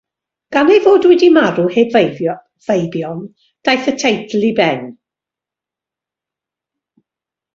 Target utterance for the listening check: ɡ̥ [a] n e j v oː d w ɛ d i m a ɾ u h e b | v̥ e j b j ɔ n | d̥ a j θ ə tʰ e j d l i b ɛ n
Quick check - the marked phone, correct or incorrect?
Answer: correct